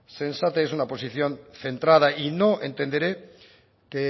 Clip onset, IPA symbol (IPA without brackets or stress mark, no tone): s